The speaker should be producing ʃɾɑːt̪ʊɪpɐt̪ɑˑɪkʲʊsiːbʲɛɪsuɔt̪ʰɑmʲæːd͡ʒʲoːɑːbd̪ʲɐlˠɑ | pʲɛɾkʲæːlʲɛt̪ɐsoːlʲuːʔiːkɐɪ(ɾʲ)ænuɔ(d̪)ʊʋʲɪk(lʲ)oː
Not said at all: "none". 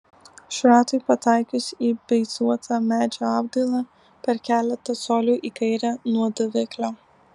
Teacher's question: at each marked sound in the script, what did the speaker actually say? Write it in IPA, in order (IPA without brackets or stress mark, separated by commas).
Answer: ɾʲ, d̪, lʲ